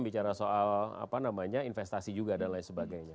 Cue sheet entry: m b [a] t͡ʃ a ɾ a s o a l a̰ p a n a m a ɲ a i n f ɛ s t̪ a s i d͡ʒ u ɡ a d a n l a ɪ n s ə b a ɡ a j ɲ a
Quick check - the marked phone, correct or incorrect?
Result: incorrect